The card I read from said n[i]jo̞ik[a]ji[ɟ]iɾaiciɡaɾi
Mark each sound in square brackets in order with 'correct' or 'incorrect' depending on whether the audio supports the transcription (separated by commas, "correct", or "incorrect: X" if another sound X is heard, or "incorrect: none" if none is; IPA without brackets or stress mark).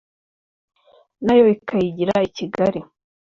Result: incorrect: a, correct, correct